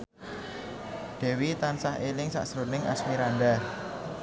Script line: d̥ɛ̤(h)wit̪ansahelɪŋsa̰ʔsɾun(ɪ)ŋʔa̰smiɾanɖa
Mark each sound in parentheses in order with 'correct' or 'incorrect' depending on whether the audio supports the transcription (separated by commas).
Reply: incorrect, correct